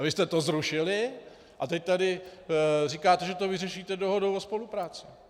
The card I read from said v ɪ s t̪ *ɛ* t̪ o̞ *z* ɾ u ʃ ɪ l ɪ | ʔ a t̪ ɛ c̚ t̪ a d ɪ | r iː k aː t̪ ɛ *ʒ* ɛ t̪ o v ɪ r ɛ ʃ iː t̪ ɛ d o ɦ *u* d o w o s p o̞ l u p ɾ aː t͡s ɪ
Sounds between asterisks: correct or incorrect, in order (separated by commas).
correct, correct, correct, incorrect